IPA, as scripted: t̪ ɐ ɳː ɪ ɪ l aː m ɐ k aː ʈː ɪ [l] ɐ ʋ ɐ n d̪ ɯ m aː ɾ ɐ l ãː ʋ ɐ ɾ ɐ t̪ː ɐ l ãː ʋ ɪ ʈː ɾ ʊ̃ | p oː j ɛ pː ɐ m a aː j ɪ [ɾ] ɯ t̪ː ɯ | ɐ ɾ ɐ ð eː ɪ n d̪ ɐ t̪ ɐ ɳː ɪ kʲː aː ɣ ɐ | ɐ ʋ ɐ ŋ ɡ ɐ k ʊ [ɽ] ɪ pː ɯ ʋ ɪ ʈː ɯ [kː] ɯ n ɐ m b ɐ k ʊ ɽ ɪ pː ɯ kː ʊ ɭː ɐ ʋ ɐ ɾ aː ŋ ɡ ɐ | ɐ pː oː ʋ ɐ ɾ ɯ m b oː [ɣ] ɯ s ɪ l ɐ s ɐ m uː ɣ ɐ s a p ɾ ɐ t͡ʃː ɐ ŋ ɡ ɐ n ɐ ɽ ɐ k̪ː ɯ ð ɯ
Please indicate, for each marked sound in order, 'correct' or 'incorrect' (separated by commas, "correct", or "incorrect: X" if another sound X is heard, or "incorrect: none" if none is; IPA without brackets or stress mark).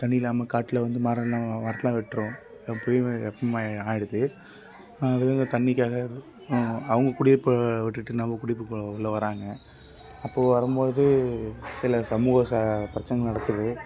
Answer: correct, incorrect: ɽ, correct, incorrect: ʈː, incorrect: ð